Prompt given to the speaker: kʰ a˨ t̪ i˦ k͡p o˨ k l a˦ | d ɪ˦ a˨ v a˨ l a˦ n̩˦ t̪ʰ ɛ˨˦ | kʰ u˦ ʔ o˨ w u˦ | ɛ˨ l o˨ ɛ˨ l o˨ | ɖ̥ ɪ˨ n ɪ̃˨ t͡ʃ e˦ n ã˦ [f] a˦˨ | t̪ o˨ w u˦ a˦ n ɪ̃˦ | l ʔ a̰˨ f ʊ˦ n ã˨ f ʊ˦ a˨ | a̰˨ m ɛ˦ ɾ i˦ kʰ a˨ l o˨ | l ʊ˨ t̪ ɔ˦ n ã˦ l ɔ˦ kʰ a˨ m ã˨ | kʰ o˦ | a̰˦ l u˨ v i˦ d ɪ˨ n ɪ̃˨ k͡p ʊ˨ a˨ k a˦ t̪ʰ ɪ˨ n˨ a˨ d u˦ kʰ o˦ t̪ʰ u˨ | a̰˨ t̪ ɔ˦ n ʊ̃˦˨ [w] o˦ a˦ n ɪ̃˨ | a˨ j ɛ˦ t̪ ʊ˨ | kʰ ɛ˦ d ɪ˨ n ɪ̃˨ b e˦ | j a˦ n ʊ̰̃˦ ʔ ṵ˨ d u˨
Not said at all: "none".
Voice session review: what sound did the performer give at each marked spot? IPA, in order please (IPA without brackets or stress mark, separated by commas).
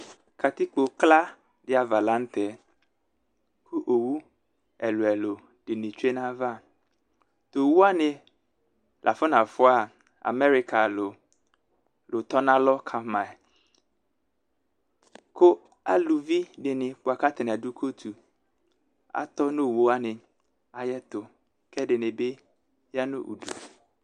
v, w